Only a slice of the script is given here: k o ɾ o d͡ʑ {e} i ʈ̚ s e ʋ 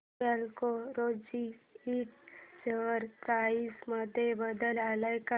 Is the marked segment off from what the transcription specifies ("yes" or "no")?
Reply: yes